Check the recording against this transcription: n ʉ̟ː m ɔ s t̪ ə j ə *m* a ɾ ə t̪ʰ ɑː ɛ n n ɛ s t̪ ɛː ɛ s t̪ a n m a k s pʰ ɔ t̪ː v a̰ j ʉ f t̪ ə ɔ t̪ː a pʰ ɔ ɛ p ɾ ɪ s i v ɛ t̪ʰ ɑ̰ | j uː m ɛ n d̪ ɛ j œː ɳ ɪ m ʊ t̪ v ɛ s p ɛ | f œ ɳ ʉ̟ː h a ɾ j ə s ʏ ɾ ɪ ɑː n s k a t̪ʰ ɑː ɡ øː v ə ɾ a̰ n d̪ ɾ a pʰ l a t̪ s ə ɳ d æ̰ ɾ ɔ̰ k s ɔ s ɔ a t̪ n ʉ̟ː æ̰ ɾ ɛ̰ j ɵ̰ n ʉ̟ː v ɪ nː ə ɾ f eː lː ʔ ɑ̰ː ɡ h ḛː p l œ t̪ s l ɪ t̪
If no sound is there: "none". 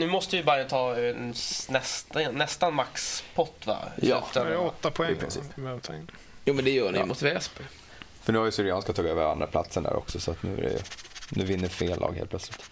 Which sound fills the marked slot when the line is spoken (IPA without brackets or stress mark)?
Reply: b